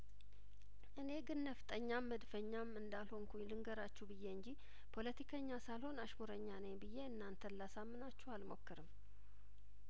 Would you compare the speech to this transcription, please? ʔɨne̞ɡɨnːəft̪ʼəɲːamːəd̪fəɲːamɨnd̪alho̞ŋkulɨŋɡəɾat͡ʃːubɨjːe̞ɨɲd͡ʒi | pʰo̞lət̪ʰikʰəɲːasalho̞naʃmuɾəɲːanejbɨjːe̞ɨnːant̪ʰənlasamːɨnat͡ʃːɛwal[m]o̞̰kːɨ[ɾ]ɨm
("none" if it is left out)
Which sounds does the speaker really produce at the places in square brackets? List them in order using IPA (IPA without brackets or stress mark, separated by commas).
m, ɾ